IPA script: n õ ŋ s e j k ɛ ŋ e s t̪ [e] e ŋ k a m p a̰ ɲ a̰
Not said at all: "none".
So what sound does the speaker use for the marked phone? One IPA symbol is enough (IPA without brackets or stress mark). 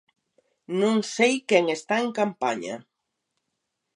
a